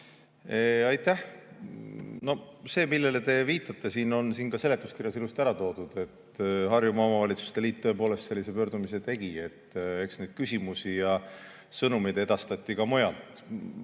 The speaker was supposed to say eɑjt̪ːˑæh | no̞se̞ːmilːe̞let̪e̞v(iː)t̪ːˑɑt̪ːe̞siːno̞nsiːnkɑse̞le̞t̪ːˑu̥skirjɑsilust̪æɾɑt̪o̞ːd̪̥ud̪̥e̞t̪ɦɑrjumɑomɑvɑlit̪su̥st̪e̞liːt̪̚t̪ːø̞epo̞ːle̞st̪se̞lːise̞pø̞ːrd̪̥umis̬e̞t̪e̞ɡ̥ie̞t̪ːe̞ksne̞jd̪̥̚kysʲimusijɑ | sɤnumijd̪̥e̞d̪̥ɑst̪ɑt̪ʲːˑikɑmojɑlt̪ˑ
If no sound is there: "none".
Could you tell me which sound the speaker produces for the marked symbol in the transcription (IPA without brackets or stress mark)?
iː